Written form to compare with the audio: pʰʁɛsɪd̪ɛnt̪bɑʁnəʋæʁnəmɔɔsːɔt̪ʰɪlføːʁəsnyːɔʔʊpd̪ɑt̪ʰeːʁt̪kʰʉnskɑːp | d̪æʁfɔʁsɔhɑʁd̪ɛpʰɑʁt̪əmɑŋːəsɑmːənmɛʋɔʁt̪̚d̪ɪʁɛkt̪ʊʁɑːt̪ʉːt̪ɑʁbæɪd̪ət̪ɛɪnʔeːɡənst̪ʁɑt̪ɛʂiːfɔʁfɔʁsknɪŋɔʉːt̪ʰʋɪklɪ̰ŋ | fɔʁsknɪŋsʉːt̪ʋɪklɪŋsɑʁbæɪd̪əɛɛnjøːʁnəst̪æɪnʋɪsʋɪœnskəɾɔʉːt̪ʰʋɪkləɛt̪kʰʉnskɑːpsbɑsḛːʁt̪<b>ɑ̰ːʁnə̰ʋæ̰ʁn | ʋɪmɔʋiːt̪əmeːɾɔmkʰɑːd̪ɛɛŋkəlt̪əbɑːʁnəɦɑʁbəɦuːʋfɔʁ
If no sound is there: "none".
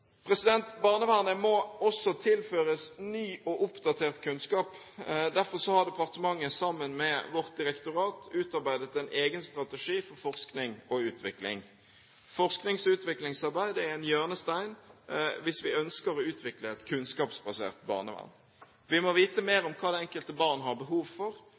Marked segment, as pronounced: b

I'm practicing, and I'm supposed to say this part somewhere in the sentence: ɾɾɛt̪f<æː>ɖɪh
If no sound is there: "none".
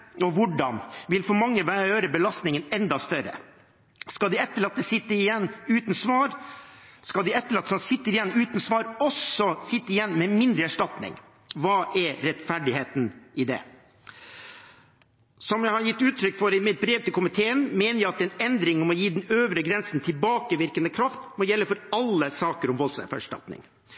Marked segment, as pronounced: æ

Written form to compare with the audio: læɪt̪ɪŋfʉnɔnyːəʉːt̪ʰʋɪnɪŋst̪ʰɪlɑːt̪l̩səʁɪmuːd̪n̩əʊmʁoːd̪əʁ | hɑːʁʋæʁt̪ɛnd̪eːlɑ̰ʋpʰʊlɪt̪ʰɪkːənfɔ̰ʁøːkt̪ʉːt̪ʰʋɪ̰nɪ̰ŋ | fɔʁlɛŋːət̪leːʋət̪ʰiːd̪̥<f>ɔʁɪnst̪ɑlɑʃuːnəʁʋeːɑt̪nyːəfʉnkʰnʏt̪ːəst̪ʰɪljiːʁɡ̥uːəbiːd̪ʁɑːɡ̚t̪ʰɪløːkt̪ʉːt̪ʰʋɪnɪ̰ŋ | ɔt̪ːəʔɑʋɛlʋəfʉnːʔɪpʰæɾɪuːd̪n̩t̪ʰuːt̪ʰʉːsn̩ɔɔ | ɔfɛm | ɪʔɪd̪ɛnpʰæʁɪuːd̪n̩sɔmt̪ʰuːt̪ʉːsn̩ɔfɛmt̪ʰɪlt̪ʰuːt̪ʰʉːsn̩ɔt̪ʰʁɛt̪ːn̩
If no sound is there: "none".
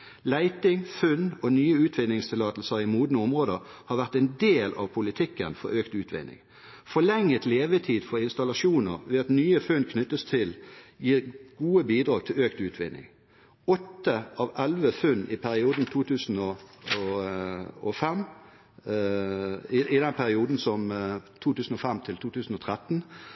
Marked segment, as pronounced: f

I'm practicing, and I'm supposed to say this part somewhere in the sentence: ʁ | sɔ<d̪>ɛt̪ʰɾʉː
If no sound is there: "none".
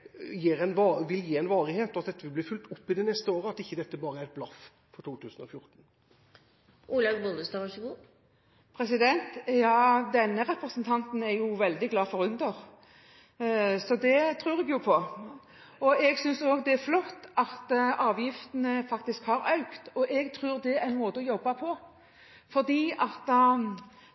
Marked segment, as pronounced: d̪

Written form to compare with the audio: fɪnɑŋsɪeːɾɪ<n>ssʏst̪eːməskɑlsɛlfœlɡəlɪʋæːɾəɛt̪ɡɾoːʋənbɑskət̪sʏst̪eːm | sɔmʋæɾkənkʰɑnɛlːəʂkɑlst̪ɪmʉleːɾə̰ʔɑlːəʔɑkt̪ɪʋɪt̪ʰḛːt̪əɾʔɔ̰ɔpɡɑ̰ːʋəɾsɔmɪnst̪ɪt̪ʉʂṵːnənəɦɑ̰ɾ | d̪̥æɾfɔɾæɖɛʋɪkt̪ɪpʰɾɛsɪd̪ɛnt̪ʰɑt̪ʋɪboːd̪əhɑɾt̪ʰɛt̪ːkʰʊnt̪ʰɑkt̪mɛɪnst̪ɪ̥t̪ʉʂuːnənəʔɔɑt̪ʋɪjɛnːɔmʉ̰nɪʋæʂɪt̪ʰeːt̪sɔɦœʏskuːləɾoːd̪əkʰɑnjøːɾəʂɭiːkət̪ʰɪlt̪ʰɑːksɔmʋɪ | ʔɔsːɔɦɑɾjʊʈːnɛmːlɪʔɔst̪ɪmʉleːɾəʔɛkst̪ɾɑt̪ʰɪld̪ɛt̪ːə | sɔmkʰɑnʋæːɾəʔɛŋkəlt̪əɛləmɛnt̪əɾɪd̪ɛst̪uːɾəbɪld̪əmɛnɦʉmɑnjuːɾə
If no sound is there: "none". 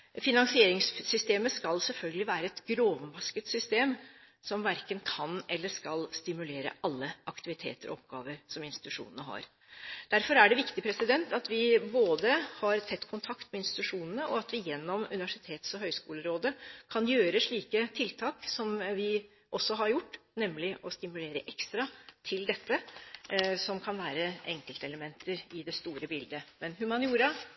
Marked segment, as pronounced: ŋ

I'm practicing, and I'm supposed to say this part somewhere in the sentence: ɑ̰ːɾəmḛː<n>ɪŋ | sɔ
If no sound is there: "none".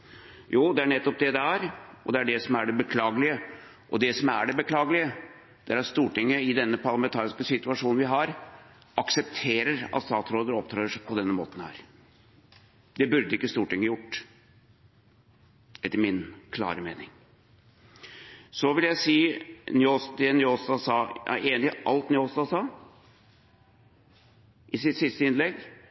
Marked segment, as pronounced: n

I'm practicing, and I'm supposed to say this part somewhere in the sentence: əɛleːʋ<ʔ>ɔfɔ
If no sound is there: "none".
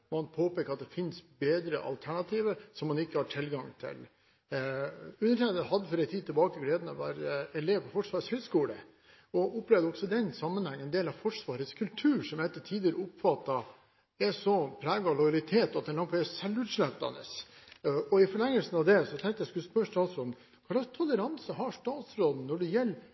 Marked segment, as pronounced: p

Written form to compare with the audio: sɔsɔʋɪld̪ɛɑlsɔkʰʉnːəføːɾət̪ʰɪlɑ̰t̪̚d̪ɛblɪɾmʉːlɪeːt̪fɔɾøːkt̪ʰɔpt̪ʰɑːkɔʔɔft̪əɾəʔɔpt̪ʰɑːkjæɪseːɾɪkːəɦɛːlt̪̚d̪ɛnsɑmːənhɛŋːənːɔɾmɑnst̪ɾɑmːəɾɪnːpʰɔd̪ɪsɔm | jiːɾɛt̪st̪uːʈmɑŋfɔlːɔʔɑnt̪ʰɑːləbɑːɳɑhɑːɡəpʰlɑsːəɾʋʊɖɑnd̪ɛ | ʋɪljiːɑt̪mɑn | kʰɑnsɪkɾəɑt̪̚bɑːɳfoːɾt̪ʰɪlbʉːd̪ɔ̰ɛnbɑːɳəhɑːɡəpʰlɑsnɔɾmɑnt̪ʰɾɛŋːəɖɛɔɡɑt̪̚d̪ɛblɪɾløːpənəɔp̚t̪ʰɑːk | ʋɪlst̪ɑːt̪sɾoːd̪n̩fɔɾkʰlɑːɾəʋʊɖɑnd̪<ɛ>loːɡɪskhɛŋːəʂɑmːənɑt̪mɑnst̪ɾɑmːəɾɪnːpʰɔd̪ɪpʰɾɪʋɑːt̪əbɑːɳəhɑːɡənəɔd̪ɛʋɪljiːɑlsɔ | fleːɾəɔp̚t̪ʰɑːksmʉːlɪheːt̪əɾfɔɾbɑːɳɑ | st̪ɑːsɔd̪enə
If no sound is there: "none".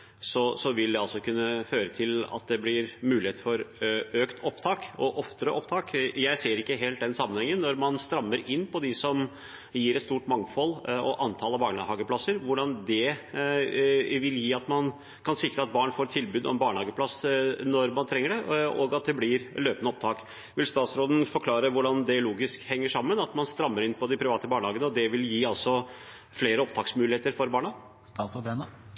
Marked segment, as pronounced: ɛ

